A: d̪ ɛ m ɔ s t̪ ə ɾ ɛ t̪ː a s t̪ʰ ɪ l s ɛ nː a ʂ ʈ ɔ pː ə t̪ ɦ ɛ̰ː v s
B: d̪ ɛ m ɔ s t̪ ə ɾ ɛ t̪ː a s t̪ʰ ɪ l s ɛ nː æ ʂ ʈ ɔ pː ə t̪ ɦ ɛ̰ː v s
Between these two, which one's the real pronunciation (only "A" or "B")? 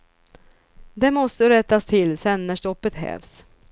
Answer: B